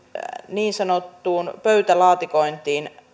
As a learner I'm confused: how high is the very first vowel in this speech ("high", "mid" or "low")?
high